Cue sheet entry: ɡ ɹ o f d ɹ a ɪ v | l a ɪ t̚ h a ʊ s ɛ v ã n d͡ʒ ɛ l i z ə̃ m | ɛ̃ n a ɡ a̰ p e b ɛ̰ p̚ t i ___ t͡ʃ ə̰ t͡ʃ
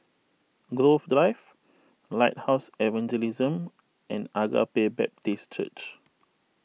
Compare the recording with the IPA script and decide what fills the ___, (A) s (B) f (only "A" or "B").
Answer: A